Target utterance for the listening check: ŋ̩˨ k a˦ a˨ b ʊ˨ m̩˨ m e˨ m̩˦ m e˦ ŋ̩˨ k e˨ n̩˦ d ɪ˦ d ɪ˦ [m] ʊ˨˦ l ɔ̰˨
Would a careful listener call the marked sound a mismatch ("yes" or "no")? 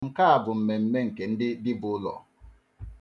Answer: yes